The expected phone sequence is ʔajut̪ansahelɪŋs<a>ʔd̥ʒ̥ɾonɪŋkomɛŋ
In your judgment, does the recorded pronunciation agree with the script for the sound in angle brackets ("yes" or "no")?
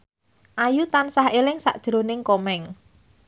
yes